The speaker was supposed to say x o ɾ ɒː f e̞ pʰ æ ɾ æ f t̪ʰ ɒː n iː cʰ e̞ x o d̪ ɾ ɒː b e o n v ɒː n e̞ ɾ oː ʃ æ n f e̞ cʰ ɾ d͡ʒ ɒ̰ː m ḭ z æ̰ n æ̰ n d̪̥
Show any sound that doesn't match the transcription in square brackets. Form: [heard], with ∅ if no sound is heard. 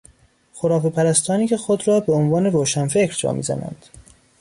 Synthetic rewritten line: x o ɾ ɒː f e̞ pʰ æ ɾ æ [s] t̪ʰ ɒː n iː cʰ e̞ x o d̪ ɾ ɒː b e o n v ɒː n e̞ ɾ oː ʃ æ n f e̞ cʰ ɾ d͡ʒ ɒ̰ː m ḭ z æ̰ n æ̰ n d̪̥